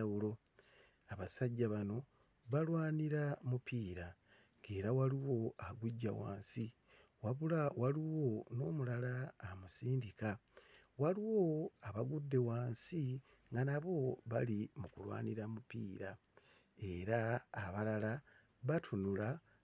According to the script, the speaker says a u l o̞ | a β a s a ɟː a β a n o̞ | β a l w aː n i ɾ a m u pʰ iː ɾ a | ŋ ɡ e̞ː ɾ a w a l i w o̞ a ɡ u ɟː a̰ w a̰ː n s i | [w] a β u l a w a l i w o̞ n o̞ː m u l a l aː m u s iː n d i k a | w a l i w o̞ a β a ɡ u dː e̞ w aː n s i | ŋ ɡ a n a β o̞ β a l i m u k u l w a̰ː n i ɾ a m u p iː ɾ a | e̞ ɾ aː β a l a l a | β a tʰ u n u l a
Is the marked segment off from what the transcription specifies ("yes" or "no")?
no